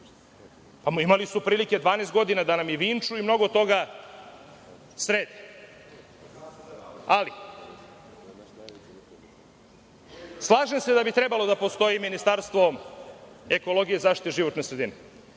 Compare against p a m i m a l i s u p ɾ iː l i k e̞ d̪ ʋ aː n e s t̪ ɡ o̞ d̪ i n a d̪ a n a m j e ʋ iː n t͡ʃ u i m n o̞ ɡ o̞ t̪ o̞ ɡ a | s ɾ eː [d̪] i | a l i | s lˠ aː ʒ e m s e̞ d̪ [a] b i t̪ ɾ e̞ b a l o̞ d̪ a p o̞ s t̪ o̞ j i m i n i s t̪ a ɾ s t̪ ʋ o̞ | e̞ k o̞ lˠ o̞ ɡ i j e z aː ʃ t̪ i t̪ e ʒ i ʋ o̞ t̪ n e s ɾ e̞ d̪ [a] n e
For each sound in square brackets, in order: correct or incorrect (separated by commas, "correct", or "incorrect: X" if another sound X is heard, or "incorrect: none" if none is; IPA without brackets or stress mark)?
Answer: correct, correct, incorrect: i